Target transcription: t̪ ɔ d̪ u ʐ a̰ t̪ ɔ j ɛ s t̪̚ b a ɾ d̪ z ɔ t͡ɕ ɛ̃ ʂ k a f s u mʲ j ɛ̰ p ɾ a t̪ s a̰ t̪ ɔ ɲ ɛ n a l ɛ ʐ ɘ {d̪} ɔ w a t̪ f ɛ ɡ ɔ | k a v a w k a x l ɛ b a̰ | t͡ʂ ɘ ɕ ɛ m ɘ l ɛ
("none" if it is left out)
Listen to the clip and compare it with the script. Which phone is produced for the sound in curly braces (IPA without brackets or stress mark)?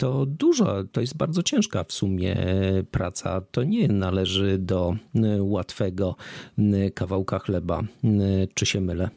d̪